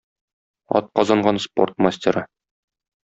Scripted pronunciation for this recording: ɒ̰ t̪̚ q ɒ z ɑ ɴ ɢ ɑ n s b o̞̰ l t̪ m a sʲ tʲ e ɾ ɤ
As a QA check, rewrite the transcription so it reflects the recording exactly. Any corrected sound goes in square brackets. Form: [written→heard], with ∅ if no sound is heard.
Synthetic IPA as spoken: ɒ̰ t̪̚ q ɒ z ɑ ɴ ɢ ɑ n s [b→p] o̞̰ [l→r] t̪ m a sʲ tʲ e ɾ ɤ